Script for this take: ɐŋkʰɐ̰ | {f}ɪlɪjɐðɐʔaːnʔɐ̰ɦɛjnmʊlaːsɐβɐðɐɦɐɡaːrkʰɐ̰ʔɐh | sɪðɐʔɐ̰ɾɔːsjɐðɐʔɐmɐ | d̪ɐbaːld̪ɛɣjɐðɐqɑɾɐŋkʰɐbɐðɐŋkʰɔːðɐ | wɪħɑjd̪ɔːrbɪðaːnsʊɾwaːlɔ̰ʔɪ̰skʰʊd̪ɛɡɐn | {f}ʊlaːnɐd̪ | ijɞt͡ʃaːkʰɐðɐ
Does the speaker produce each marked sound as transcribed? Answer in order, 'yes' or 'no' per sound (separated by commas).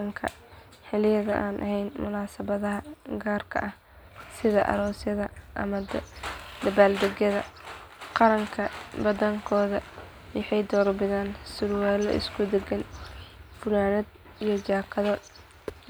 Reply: no, yes